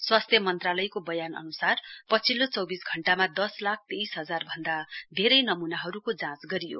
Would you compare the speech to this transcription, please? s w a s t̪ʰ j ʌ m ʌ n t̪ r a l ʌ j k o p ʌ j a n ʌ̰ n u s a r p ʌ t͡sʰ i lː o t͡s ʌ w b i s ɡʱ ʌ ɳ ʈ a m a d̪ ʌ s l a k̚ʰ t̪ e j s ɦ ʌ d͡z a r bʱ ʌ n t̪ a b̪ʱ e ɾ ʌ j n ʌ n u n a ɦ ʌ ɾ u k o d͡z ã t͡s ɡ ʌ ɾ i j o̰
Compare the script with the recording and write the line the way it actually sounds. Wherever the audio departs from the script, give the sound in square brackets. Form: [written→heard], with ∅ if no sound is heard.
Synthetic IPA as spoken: s w a s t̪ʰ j ʌ m ʌ n t̪ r a l ʌ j k o [p→b] ʌ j a n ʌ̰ n u s a r p ʌ t͡sʰ i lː o t͡s ʌ w b i s ɡʱ ʌ ɳ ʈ a m a d̪ ʌ s l a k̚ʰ t̪ e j s ɦ ʌ d͡z a r bʱ ʌ n [t̪→d̪] a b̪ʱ e ɾ ʌ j n ʌ [n→m] u n a ɦ ʌ ɾ u k o d͡z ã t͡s ɡ ʌ ɾ i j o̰